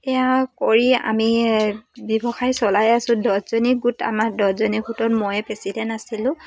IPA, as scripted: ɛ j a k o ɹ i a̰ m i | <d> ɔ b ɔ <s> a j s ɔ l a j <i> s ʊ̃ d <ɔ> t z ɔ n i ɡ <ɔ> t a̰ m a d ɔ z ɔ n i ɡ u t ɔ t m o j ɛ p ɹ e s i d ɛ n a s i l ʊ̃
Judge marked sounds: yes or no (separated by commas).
no, no, no, yes, no